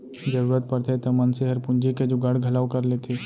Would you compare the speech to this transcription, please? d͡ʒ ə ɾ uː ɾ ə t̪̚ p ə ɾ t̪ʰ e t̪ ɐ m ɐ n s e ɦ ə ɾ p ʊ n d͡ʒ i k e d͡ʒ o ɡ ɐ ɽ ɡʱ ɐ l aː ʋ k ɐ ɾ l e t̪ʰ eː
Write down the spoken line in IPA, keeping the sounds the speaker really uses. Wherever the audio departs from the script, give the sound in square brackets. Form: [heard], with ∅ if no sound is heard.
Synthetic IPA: d͡ʒ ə ɾ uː ɾ ə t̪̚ p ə ɾ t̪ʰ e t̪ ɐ m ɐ n s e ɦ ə ɾ p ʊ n d͡ʒ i k e d͡ʒ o ɡ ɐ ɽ ɡʱ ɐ l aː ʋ k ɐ ɾ l e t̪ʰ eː